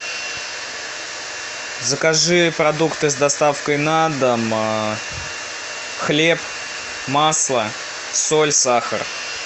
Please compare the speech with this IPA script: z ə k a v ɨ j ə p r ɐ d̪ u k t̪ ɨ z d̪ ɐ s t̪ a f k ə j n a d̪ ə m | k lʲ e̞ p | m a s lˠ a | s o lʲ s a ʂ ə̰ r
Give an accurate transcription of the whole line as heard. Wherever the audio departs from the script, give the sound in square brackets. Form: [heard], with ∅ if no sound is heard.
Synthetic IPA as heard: z ə k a [ʐ] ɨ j ə p [ɾ] ɐ d̪ u k t̪ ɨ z d̪ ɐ s t̪ a f k ə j n a d̪ ə m | [x] lʲ e̞ p | m a s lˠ [ə] | s o lʲ s a [x] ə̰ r